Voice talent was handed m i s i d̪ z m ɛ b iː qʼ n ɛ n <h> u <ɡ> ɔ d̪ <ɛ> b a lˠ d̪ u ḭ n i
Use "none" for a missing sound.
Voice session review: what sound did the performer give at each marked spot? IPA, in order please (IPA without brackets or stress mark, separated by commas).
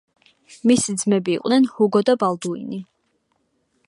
h, ɡ, a